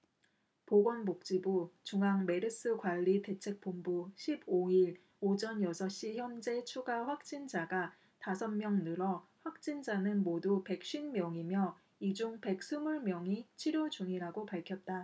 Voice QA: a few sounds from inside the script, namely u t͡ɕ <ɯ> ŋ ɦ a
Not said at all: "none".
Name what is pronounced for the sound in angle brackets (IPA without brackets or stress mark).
u